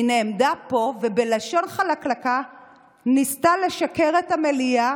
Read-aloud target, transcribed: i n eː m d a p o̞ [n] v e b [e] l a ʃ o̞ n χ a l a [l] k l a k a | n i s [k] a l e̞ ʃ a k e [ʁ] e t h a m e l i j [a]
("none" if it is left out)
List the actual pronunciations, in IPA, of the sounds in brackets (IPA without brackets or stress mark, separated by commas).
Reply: none, e, none, t, ʁ, a